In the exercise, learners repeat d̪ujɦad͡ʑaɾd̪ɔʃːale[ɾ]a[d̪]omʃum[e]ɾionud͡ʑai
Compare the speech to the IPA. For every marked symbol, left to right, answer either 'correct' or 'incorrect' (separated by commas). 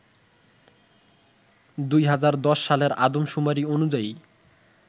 correct, correct, incorrect